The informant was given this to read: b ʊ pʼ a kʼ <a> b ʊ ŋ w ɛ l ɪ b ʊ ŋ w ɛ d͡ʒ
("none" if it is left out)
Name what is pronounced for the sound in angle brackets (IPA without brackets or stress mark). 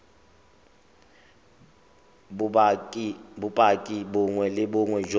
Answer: i